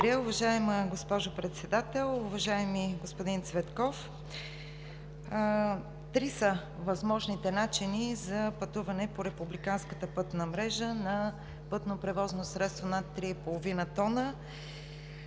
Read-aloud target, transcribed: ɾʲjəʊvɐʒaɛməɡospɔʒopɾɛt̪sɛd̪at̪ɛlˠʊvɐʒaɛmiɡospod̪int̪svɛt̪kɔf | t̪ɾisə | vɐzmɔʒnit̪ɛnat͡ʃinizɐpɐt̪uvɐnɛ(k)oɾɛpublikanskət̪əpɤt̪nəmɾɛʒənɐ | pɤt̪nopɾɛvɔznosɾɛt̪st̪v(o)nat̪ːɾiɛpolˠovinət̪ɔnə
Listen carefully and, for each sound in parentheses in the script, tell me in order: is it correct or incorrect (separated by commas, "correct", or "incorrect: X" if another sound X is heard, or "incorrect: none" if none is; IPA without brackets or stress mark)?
incorrect: p, correct